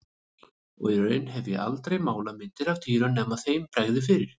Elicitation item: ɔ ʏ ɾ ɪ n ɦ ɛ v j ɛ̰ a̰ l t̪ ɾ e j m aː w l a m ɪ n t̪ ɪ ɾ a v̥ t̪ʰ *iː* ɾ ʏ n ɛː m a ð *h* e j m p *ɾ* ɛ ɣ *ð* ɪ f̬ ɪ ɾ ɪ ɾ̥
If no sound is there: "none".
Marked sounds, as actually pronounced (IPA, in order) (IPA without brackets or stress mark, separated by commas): iː, θ, ɾ, ð